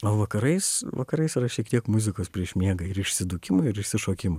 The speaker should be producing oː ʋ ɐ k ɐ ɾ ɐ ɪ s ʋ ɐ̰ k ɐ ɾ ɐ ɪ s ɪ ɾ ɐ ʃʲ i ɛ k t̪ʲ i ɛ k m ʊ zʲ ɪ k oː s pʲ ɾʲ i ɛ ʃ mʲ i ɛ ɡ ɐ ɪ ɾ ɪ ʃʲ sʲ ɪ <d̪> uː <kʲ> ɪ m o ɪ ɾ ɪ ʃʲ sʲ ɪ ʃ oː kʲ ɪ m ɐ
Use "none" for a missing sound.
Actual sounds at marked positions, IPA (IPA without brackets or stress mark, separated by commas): d̪, kʲ